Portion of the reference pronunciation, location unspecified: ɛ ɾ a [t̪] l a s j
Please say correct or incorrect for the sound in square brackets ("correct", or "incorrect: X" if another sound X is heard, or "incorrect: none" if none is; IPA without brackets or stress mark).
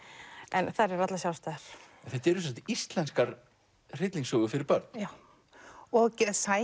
correct